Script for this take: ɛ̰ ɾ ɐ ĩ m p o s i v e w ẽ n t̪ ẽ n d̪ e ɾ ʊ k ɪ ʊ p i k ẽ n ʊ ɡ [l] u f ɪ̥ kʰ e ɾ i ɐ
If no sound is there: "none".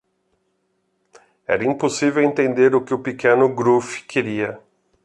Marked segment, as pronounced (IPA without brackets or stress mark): ɾ